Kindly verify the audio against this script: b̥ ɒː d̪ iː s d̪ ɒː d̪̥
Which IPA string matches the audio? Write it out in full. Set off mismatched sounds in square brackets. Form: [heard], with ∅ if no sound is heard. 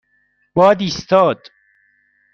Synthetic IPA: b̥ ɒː d̪ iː s [t̪] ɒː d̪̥